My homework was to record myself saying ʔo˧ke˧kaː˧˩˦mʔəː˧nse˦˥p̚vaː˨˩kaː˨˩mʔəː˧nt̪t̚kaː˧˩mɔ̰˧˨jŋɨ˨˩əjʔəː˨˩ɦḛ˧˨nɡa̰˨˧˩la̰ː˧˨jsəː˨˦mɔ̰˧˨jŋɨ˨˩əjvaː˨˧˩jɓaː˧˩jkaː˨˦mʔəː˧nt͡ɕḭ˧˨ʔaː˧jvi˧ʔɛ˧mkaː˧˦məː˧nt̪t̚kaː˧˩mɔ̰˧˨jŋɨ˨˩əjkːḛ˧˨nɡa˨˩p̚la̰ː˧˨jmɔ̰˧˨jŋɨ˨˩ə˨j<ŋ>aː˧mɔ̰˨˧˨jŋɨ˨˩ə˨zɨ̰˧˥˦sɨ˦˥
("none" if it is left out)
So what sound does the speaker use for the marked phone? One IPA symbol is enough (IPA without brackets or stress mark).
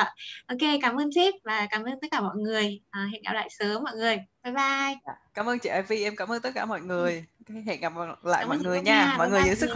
ɲ